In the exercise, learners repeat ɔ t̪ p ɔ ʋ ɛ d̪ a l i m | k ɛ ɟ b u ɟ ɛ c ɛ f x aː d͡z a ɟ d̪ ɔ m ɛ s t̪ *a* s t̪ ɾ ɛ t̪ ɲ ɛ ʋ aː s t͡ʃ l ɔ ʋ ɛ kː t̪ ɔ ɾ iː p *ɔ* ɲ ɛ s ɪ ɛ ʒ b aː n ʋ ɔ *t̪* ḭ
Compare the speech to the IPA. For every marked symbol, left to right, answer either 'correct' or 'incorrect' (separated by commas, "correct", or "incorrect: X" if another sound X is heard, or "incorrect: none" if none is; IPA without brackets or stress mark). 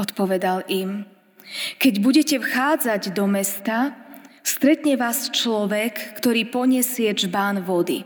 correct, correct, incorrect: d̪